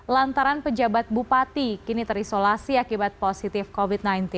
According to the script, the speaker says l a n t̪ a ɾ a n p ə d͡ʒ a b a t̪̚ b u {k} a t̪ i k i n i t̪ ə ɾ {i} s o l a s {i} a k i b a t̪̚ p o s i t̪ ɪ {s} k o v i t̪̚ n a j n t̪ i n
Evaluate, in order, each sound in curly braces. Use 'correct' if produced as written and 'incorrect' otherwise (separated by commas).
incorrect, correct, correct, incorrect